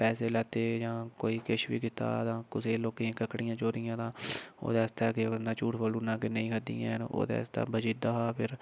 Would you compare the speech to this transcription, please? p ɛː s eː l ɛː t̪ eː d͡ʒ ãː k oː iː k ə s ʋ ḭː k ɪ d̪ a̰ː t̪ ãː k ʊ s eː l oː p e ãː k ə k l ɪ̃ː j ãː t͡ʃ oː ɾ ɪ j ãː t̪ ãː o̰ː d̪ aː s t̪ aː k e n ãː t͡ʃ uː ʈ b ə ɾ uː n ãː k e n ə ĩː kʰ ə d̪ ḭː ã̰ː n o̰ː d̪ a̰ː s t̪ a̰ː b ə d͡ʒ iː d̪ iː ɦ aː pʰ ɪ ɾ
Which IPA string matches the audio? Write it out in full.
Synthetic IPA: p ɛː s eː l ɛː t̪ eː d͡ʒ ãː k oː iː k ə ʃ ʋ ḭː k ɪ t̪ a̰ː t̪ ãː k ʊ s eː l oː k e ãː k ə k ɽ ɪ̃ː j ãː t͡ʃ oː ɾ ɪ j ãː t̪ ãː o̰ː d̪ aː s t̪ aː k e n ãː t͡ʃ uː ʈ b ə l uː n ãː k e n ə ĩː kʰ ə d̪ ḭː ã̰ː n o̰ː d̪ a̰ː s t̪ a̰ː b ə d͡ʒ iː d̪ aː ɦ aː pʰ ɪ ɾ